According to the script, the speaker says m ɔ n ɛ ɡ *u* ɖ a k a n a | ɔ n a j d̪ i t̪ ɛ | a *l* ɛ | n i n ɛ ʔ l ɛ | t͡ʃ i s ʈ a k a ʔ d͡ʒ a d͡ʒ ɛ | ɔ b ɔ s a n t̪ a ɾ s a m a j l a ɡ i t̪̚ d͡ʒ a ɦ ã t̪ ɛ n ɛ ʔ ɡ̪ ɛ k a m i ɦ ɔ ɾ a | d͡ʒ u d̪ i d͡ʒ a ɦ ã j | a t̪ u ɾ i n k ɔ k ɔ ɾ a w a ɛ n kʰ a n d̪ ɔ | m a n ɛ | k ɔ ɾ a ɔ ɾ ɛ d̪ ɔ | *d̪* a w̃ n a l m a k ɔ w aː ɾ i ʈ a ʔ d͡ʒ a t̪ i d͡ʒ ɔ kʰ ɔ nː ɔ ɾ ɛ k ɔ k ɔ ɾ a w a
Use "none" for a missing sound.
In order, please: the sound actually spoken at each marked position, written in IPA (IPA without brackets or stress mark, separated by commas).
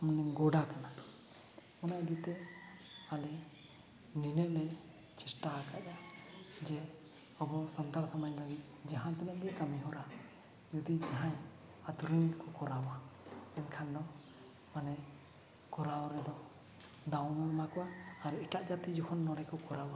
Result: ɔ, l, d̪